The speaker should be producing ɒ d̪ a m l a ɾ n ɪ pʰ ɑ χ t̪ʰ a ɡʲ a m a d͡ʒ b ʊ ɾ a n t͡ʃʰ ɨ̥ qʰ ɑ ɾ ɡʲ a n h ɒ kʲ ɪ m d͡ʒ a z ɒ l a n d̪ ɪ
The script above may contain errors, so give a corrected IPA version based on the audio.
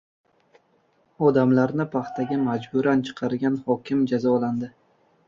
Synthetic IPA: ɒ d̪ a m l a ɾ n ɪ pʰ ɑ χ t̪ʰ a ɡʲ a m a d͡ʒ b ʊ ɾ a n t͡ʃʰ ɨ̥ qʰ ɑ ɾ ɡʲ a n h ɒ kʲ ɪ m d͡ʒ a z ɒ l a n d̪ ɪ